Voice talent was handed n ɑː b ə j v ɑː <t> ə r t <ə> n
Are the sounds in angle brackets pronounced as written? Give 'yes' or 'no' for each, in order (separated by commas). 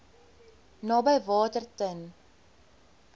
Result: yes, yes